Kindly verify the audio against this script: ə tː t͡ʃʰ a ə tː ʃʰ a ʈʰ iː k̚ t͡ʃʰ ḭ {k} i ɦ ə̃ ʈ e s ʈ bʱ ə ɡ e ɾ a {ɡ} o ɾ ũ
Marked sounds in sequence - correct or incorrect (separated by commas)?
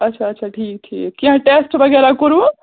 correct, incorrect